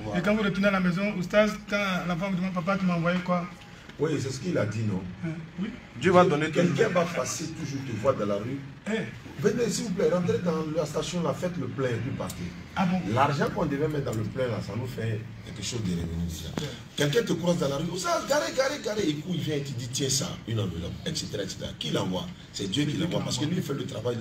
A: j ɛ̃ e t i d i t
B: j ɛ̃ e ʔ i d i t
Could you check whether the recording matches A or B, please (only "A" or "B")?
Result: A